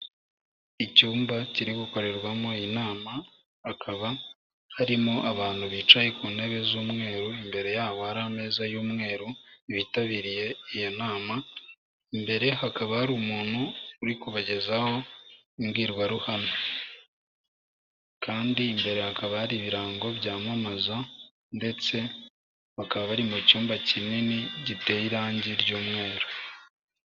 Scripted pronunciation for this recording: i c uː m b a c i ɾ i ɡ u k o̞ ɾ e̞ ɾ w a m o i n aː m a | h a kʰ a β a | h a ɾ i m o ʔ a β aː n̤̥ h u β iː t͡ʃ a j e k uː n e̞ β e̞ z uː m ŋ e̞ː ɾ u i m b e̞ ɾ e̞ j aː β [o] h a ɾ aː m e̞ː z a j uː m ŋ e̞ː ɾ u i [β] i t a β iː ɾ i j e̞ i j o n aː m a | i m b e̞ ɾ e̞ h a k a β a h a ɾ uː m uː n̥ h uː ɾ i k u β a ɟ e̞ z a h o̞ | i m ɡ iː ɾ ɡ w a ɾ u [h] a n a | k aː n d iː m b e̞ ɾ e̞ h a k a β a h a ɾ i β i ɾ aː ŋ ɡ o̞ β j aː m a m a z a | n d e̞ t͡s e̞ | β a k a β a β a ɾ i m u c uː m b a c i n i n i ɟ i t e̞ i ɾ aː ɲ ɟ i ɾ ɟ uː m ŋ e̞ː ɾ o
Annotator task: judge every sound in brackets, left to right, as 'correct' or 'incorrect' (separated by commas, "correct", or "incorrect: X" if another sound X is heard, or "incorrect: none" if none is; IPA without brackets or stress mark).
correct, correct, correct